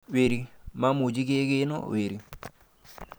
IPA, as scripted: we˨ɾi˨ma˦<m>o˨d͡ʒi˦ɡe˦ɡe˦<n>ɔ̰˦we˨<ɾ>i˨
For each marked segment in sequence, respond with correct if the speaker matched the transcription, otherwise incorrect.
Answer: correct, correct, correct

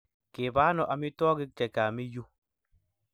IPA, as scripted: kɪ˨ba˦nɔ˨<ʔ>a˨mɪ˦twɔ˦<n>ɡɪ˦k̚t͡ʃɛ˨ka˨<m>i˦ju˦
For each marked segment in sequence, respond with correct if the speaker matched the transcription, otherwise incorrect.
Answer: correct, incorrect, correct

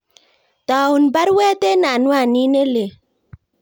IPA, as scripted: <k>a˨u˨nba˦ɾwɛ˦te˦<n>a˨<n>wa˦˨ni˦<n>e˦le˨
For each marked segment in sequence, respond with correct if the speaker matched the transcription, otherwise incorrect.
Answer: incorrect, correct, correct, correct

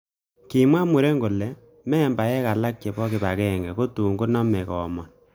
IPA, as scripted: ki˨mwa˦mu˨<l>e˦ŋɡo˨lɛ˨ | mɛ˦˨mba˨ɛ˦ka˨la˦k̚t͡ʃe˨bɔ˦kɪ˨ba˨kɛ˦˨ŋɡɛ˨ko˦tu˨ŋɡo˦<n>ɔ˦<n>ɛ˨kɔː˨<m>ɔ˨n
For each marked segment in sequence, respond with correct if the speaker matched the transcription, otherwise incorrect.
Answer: incorrect, correct, incorrect, correct

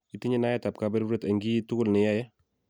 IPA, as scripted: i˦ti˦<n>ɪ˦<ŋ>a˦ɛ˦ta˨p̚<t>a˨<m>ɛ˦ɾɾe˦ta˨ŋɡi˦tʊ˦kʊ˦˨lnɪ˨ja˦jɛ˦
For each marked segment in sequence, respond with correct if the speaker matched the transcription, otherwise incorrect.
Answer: incorrect, incorrect, incorrect, incorrect

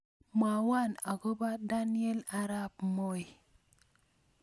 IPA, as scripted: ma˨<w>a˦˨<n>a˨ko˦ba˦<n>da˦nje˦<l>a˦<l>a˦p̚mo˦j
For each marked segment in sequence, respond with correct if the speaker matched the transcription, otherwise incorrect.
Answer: correct, correct, incorrect, correct, incorrect

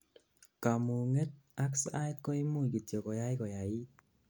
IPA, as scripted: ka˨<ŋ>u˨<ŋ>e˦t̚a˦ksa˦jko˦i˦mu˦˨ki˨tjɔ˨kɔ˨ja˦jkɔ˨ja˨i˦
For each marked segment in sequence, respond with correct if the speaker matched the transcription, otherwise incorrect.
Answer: incorrect, correct

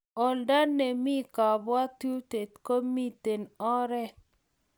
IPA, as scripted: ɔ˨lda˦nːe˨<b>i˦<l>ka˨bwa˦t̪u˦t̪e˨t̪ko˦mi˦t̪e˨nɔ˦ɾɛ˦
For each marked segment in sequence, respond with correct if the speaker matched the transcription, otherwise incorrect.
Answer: incorrect, incorrect

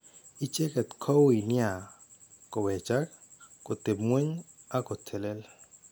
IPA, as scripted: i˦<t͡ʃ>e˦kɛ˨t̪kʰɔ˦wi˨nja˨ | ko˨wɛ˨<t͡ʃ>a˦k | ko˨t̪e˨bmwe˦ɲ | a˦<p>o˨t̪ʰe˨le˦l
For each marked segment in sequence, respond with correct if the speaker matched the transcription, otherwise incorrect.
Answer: correct, correct, incorrect

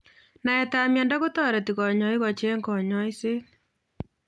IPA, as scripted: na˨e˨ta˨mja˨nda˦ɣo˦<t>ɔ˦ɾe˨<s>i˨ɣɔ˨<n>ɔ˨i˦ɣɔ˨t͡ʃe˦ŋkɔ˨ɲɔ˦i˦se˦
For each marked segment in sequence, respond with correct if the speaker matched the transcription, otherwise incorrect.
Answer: correct, incorrect, incorrect

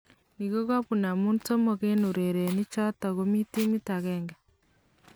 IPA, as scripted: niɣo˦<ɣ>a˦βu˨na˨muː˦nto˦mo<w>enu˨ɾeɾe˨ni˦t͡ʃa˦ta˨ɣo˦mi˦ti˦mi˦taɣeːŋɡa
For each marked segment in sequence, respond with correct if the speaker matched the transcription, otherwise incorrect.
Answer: correct, incorrect

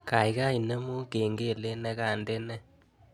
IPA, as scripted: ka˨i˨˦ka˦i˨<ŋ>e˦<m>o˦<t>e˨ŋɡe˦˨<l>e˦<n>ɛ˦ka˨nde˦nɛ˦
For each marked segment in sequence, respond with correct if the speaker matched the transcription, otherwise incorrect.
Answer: incorrect, correct, incorrect, correct, correct

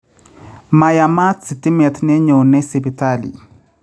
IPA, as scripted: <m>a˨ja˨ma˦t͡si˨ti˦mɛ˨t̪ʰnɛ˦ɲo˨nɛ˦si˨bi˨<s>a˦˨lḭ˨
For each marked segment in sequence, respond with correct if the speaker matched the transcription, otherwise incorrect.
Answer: correct, incorrect

